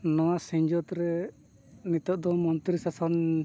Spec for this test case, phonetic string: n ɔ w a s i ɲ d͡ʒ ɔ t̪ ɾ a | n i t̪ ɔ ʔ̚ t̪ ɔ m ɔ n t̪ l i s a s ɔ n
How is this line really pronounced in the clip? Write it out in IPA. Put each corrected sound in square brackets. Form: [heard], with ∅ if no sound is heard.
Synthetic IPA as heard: n ɔ w a s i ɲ d͡ʒ ɔ t̪ ɾ [ɛ] | n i t̪ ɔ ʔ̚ [d̪] ɔ m ɔ n t̪ [ɾ] i s a s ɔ n